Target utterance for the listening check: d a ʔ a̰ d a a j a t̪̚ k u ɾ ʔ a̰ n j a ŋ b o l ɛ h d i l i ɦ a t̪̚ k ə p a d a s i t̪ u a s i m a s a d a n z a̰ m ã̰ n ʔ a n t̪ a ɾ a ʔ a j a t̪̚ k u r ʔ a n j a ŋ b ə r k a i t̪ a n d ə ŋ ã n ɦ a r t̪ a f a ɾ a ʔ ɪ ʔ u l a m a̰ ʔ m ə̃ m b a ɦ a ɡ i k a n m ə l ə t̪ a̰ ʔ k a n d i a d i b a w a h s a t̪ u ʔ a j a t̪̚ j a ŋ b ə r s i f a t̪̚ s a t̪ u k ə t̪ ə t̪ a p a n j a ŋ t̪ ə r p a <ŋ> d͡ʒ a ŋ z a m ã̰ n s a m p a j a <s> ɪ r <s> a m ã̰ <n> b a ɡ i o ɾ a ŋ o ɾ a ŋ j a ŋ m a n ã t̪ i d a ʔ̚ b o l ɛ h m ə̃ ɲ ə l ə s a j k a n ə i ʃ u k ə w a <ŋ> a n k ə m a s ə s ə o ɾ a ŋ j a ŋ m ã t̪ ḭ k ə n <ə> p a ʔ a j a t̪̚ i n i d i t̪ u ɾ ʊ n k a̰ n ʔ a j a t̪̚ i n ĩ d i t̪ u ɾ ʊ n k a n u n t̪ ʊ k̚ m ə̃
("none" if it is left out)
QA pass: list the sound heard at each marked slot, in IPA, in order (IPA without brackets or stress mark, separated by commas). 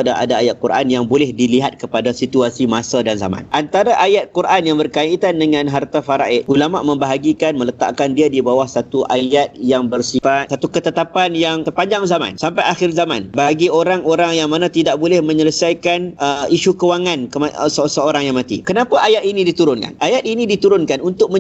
ɲ, x, z, n, ŋ, a